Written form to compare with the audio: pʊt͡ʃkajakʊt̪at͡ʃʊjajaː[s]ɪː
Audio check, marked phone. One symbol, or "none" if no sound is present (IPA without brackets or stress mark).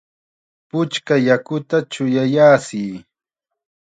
s